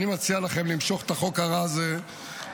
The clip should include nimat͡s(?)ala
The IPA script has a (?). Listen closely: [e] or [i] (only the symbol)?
i